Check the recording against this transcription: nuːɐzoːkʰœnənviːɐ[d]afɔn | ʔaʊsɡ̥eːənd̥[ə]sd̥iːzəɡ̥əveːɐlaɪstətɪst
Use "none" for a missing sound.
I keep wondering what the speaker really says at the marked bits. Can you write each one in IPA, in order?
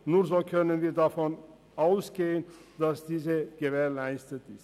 d, a

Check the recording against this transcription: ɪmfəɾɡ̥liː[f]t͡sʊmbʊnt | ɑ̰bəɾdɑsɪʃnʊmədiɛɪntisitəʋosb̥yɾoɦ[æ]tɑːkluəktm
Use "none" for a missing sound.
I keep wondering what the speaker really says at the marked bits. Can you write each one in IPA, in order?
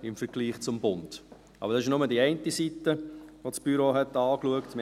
χ, ɛ

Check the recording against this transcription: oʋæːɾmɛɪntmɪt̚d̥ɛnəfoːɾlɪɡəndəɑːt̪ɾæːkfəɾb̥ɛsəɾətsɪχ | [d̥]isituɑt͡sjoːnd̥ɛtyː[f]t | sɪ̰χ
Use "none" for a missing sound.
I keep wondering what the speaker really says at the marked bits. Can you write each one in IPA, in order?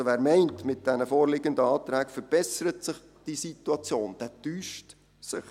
d̥, ʃ

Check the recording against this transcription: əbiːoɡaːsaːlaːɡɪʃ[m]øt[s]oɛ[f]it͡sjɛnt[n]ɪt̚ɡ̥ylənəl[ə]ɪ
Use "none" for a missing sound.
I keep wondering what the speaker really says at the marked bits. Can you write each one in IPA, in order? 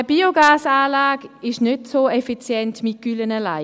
n, s, f, m, a

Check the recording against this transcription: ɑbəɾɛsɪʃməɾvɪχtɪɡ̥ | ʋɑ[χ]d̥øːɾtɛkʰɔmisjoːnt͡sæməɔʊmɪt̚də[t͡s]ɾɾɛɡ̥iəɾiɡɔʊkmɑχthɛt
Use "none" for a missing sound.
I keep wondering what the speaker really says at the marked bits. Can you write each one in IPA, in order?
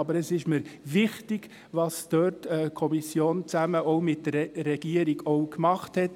s, none

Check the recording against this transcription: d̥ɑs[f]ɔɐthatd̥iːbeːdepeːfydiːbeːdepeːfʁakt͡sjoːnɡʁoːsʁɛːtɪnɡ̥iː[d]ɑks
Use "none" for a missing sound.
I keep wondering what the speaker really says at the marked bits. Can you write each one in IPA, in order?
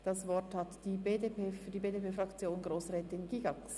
v, ɡ

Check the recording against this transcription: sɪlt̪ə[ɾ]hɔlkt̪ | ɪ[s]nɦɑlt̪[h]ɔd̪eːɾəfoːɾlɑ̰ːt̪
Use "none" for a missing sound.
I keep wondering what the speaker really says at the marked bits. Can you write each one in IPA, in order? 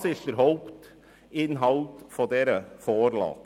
ɾ, none, f

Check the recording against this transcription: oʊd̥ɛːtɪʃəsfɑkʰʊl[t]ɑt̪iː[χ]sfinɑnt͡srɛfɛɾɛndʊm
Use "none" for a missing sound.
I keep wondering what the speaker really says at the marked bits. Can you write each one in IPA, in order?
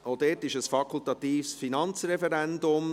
t, f

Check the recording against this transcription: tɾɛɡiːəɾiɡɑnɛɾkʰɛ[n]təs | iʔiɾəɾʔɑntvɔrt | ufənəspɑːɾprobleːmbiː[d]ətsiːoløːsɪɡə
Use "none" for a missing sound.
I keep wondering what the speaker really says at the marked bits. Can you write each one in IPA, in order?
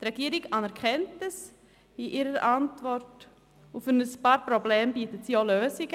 n, t

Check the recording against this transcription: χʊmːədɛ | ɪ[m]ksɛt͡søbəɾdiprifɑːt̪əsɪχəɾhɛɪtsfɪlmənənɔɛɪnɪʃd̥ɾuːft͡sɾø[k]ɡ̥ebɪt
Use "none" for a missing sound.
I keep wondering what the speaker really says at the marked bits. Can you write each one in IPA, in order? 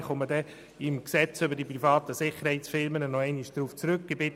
m, k

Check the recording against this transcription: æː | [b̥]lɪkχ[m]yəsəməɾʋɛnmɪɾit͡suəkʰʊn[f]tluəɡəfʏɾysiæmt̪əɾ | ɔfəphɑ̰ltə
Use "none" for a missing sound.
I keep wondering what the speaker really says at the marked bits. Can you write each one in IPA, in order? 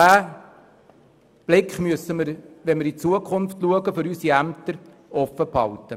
b̥, m, f

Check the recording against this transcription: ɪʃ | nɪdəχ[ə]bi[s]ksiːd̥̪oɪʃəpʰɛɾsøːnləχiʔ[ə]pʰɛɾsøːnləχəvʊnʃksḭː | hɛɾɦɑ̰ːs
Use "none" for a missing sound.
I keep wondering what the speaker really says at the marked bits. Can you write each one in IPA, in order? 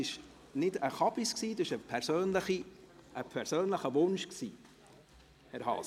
ɑ, s, ə

